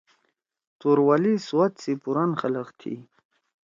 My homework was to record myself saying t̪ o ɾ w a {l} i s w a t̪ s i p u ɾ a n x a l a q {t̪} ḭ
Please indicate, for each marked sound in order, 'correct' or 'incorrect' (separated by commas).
correct, incorrect